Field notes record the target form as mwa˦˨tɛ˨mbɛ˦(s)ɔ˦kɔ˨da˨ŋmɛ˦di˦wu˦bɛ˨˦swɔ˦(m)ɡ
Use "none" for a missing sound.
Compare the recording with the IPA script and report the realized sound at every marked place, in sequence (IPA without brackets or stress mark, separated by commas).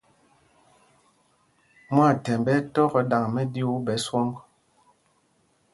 t, ŋ